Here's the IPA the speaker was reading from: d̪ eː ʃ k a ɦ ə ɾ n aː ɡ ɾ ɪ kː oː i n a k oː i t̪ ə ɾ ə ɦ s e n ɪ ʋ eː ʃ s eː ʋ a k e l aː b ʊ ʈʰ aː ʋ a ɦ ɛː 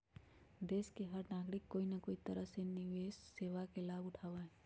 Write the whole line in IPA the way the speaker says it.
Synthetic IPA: d̪ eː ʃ k e ɦ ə ɾ n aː ɡ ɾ ɪ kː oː i n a k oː i t̪ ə ɾ ə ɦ s e n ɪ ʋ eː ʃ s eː ʋ a k e l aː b ʊ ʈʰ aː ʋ a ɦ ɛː